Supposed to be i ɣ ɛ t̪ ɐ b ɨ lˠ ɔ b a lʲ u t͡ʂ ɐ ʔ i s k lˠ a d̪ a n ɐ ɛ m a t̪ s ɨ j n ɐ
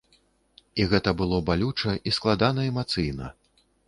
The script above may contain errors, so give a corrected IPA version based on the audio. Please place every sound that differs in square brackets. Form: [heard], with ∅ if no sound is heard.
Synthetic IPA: i ɣ ɛ t̪ ɐ b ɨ lˠ ɔ b a lʲ u t͡ʂ ɐ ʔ i s k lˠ a d̪ a n ɐ ɛ m a t̪ s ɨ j n ɐ